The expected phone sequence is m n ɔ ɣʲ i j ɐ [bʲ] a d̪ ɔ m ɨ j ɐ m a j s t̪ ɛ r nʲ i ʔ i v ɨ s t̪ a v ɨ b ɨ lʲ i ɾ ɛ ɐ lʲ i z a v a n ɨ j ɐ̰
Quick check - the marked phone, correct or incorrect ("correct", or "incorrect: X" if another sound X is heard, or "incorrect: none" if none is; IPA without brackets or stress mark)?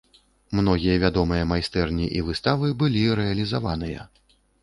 incorrect: vʲ